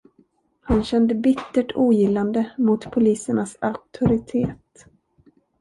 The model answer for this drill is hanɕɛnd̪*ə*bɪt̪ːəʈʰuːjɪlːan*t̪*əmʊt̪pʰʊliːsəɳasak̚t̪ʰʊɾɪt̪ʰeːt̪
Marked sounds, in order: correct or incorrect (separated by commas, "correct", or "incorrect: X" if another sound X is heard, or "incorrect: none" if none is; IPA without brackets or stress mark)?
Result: correct, incorrect: d̪